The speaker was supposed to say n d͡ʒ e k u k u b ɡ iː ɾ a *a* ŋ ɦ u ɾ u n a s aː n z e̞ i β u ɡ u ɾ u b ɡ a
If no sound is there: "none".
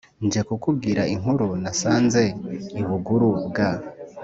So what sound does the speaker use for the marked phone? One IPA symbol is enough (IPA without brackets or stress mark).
i